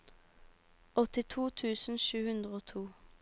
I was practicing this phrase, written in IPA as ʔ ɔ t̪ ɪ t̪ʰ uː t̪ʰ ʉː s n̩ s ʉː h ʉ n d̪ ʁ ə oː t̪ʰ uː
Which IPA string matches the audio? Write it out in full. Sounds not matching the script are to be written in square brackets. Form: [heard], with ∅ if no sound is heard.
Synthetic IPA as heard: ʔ ɔ t̪ ɪ t̪ʰ uː t̪ʰ ʉː s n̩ [ʃ] ʉː h ʉ n d̪ ʁ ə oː t̪ʰ uː